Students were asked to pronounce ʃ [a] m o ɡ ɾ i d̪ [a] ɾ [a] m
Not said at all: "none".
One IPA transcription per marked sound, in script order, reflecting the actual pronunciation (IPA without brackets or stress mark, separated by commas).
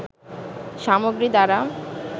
a, a, a